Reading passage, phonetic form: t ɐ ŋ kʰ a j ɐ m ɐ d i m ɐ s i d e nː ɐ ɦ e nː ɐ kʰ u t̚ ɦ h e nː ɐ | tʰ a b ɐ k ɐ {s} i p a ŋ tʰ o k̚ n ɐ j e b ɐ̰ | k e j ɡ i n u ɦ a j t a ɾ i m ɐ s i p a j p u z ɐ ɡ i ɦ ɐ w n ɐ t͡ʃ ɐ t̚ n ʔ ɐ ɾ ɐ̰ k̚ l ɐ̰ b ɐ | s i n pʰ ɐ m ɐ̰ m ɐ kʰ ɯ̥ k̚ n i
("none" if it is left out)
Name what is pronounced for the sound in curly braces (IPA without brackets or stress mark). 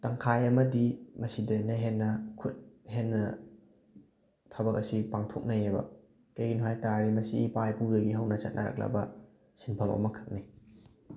s